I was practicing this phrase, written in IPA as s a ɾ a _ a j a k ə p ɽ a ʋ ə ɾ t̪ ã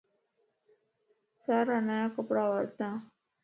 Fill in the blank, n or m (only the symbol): n